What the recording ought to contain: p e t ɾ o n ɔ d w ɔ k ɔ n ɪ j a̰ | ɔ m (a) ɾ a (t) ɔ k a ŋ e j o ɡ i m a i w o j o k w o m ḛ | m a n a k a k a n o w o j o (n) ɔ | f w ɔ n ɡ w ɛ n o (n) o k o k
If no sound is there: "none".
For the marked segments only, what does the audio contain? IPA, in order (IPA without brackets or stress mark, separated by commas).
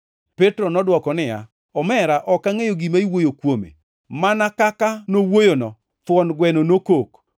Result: ɛ, ʔ, n, n